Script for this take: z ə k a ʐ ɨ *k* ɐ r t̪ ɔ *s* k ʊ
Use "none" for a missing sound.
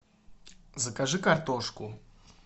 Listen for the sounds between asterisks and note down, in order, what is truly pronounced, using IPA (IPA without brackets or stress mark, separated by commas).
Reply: k, ʂ